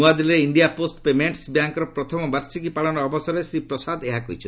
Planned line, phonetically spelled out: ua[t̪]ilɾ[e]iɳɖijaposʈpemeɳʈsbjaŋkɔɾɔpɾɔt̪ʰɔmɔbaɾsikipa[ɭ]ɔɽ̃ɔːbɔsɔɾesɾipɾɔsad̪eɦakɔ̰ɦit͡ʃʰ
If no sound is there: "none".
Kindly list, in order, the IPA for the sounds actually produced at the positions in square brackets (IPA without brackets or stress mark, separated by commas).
d̪, e, ɭ